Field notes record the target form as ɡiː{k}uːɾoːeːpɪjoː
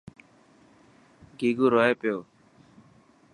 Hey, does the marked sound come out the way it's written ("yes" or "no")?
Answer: no